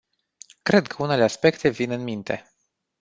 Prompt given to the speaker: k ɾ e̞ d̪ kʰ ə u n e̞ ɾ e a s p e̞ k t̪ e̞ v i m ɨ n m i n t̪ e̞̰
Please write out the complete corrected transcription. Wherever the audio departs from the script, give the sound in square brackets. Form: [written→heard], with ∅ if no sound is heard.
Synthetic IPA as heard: k ɾ e̞ d̪ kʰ ə u n e̞ [ɾ→l] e a s p e̞ k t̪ e̞ v i [m→n] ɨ n m i n t̪ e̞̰